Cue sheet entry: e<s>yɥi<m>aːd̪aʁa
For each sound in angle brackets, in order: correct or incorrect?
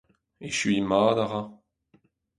incorrect: ʃ, correct

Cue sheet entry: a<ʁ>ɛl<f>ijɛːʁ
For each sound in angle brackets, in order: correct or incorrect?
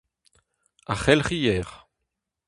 incorrect: χ, incorrect: χ

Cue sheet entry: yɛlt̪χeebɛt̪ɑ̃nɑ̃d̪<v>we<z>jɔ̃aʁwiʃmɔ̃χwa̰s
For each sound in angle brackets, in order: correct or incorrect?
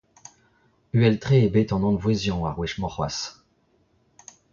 correct, correct

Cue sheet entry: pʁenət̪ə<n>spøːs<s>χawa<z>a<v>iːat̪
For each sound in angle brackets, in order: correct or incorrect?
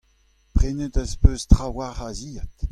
incorrect: none, incorrect: t, incorrect: ʁ, incorrect: z

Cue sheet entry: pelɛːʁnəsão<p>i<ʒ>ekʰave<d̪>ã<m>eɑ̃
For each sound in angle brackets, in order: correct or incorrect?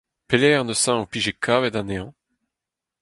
correct, correct, correct, incorrect: n

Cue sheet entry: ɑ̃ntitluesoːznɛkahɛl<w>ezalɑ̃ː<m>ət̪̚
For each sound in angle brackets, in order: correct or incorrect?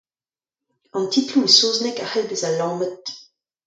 incorrect: b, correct

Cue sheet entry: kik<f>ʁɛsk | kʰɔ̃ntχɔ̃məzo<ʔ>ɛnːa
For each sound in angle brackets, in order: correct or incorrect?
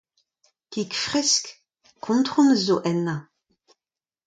correct, correct

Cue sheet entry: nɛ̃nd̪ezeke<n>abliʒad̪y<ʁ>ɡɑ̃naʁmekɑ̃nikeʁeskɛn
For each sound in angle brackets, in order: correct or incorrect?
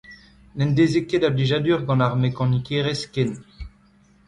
incorrect: d, correct

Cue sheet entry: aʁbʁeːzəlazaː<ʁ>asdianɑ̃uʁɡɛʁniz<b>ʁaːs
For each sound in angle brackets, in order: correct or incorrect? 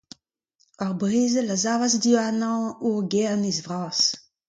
incorrect: v, incorrect: v

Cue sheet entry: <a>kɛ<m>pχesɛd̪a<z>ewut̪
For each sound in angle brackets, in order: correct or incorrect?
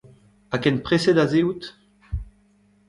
correct, incorrect: n, correct

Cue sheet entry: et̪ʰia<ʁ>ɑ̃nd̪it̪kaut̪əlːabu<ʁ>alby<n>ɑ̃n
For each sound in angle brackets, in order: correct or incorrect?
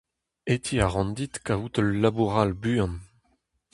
correct, correct, incorrect: none

